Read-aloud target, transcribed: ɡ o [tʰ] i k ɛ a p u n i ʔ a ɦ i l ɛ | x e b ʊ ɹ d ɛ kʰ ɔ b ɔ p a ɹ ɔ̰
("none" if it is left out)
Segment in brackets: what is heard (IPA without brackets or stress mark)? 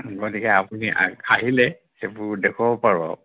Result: t